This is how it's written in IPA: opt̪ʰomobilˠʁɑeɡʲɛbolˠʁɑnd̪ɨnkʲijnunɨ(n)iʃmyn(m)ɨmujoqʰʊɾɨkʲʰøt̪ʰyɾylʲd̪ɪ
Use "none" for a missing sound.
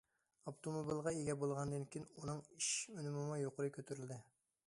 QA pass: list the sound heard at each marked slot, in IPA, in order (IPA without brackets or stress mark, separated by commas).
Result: ŋ, m